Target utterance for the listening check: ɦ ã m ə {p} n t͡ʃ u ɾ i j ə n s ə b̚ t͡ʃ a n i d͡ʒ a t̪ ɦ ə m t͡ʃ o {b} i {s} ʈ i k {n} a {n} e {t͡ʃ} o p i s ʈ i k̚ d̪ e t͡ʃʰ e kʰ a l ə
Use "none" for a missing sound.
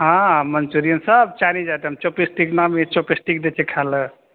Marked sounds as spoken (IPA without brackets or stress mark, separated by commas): none, p, s, n, m, t͡ʃ